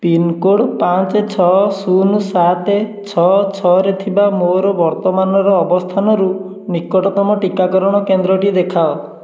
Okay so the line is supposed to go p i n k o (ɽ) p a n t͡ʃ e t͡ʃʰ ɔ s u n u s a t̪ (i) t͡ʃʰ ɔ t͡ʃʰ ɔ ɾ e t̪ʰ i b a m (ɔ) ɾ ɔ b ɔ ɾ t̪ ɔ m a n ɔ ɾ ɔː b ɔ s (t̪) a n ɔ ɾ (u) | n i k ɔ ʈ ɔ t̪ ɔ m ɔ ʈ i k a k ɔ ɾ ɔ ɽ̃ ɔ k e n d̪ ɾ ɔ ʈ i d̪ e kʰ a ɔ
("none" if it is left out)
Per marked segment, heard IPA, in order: ɽ, e, o, t̪ʰ, u

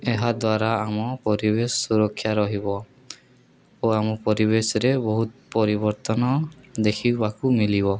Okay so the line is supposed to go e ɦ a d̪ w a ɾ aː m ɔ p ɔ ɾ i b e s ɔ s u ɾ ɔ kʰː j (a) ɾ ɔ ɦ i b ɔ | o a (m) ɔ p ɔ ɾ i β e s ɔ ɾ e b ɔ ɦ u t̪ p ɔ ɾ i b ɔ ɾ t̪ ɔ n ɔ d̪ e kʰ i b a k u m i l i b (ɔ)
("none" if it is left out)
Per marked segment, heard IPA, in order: a, m, ɔ

